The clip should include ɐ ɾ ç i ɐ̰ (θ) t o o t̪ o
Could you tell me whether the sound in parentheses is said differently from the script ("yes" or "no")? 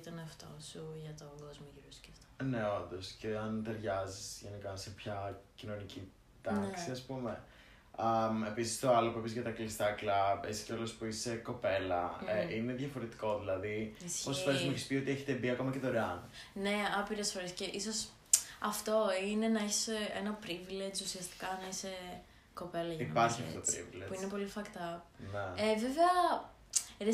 yes